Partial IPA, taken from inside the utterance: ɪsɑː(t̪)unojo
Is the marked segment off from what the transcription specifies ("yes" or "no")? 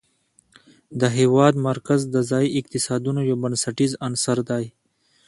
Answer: yes